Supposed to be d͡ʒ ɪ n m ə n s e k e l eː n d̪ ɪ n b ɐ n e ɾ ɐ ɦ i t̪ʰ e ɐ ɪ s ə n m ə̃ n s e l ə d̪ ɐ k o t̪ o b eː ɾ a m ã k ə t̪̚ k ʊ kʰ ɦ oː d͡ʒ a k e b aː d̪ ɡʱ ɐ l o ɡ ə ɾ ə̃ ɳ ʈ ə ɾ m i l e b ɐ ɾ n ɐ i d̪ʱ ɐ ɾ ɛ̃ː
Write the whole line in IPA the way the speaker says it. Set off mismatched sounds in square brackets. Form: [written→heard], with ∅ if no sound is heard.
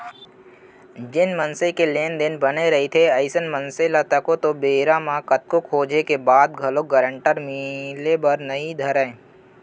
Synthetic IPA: d͡ʒ ɪ n m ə n s e k e l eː n d̪ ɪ n b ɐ n e ɾ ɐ ɦ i t̪ʰ e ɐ ɪ s ə n m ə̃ n s e l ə [d̪→t̪] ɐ k o t̪ o b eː ɾ a m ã k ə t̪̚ k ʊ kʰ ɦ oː d͡ʒ [a→e] k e b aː d̪ ɡʱ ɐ l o ɡ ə ɾ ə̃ ɳ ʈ ə ɾ m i l e b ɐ ɾ n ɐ i d̪ʱ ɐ ɾ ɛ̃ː

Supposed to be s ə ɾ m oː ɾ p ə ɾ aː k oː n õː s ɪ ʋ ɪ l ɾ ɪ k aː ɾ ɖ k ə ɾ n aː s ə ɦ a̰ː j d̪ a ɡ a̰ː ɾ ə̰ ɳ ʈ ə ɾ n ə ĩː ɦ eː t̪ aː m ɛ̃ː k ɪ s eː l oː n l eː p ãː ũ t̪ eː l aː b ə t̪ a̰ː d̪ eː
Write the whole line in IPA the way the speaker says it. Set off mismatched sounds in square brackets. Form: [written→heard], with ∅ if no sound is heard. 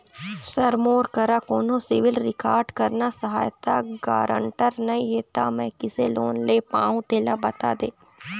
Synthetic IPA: s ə ɾ m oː ɾ [p→k] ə ɾ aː k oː n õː s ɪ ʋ ɪ l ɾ ɪ k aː ɾ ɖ k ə ɾ n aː s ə ɦ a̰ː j [d̪→t̪] a ɡ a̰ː ɾ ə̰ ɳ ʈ ə ɾ n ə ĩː ɦ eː t̪ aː m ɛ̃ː k ɪ s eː l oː n l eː p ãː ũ t̪ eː l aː b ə t̪ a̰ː d̪ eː

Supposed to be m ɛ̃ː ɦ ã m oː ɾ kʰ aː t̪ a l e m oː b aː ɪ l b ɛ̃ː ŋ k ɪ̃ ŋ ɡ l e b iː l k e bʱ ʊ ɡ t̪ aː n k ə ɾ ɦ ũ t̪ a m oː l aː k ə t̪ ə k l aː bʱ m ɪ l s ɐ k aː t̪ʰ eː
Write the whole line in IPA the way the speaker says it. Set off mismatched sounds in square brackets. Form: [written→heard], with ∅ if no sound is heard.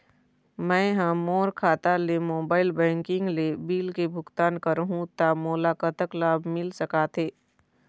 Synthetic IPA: m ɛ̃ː ɦ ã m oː ɾ kʰ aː t̪ a l e m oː b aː ɪ l b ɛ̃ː ŋ k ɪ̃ ŋ ɡ l e b iː l k e bʱ ʊ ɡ t̪ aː n k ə ɾ ɦ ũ t̪ a m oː l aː k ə t̪ ə k l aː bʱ m ɪ l s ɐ k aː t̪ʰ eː

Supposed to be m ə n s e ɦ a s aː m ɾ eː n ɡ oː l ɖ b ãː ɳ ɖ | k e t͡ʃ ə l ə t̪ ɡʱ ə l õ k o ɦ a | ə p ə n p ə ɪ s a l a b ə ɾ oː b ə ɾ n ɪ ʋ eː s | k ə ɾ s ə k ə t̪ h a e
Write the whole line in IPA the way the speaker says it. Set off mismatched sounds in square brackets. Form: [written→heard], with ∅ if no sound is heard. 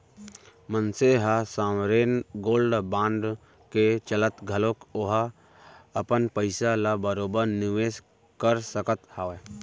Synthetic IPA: m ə n s e ɦ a s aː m ɾ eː n ɡ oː l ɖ b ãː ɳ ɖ | k e t͡ʃ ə l ə t̪ ɡʱ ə l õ k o ɦ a | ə p ə n p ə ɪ s a l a b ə ɾ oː b ə ɾ n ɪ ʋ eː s | k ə ɾ s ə k ə t̪ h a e

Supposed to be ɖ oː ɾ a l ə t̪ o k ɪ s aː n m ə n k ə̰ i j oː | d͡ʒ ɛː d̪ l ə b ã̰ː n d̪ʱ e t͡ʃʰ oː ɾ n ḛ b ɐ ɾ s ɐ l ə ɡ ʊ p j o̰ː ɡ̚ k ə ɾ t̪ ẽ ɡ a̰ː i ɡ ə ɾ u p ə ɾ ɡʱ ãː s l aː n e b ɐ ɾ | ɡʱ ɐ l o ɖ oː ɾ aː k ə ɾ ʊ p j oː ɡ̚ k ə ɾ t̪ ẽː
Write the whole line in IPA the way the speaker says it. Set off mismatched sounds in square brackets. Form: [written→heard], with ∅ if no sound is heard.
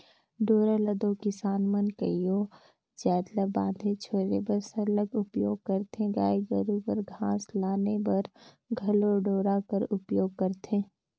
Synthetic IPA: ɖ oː ɾ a l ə [t̪→d̪] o k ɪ s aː n m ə n k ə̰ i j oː | d͡ʒ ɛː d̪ l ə b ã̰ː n d̪ʱ e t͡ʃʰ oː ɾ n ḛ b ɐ ɾ s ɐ l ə ɡ ʊ p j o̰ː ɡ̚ k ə ɾ t̪ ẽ ɡ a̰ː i ɡ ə ɾ u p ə ɾ ɡʱ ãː s l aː n e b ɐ ɾ | ɡʱ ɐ l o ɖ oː ɾ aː k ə ɾ ʊ p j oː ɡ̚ k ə ɾ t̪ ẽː

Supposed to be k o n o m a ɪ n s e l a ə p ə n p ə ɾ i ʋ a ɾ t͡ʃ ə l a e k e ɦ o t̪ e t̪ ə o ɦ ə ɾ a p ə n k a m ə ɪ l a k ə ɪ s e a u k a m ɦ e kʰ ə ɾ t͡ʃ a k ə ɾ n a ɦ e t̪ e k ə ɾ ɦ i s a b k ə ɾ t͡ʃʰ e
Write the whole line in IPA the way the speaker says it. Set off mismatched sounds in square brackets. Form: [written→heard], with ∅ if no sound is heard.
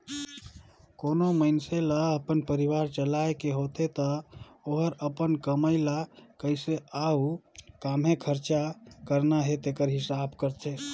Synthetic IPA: k o n o m [a→ə] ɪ n s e l a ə p ə n p ə ɾ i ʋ a ɾ t͡ʃ ə l a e k e ɦ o t̪ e t̪ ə o ɦ ə ɾ [a→ə] p ə n k [a→ə] m ə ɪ l a k ə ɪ s e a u k a m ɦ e kʰ ə ɾ t͡ʃ a k ə ɾ n a ɦ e t̪ e k ə ɾ ɦ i s a b k ə ɾ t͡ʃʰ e

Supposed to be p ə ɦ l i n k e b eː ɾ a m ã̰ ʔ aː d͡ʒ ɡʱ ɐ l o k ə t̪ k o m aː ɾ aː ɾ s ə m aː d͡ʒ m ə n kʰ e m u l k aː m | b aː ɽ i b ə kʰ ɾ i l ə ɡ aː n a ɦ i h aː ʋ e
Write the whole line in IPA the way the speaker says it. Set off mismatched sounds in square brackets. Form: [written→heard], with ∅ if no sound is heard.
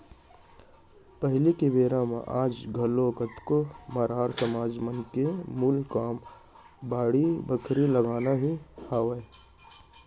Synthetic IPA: p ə ɦ l i [n→∅] k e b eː ɾ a m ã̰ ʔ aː d͡ʒ ɡʱ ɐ l o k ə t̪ k o m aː ɾ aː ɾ s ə m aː d͡ʒ m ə n [kʰ→k] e m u l k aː m | b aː ɽ i b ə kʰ ɾ i l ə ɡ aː n a ɦ i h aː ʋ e

